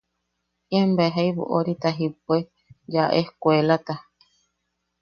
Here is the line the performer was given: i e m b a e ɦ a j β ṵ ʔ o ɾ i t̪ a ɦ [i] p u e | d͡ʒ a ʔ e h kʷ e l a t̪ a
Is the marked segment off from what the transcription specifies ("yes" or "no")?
no